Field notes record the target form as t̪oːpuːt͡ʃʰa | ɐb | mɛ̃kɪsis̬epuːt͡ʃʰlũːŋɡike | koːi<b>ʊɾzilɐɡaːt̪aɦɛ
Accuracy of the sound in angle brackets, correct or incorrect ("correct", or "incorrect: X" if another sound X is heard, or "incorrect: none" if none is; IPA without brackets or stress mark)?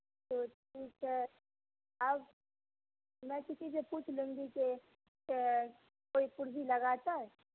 incorrect: p